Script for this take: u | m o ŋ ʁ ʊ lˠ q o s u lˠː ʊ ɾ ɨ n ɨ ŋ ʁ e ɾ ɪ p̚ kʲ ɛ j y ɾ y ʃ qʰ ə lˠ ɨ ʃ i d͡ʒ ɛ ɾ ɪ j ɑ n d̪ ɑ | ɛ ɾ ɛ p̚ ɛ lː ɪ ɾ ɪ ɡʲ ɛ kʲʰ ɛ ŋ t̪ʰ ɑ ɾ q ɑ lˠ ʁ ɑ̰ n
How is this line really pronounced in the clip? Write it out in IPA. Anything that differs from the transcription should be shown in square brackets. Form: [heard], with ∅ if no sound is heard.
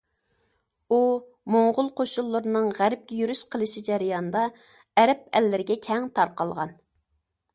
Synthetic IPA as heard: u | m o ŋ ʁ ʊ lˠ q o [ʃ] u lˠː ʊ ɾ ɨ n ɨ ŋ ʁ [æ] ɾ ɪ p̚ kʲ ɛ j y ɾ y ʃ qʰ ə lˠ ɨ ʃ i d͡ʒ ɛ ɾ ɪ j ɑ n d̪ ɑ | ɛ ɾ ɛ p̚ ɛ lː ɪ ɾ ɪ ɡʲ ɛ kʲʰ ɛ ŋ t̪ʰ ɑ ɾ q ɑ lˠ ʁ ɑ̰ n